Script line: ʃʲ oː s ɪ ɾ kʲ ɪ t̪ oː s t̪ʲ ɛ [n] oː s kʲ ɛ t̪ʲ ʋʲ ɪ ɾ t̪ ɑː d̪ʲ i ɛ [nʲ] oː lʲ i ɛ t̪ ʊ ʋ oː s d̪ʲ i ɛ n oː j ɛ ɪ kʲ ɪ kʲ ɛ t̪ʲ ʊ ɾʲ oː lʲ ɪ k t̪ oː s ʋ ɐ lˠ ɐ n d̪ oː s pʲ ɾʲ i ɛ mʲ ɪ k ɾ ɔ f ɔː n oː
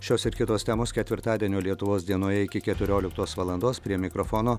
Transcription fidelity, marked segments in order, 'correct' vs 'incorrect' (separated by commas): incorrect, correct